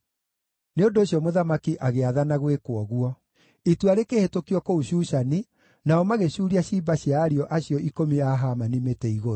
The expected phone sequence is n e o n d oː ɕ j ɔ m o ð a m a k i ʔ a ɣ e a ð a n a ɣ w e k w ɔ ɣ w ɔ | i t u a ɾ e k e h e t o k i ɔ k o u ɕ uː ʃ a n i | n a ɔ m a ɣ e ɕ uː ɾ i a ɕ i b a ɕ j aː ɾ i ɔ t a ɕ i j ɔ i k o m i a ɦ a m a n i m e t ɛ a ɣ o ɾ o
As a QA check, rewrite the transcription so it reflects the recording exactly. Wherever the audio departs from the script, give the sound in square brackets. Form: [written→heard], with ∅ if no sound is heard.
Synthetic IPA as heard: n e o n d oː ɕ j ɔ m o ð a m a k i ʔ a ɣ e a ð a n a ɣ w e k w ɔ ɣ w ɔ | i t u a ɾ e k e h e t o k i ɔ k o u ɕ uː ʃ a n i | n a ɔ m a ɣ e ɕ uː ɾ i a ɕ i b a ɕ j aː ɾ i ɔ [t→ʔ] a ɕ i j ɔ i k o m i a ɦ a m a n i m e t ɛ [a→i] ɣ o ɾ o